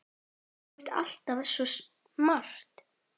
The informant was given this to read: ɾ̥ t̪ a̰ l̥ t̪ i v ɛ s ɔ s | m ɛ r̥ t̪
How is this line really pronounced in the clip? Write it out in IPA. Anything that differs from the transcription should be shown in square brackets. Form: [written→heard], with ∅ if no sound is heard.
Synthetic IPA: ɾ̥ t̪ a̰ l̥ t̪ [i→a] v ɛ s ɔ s | m [ɛ→a] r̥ t̪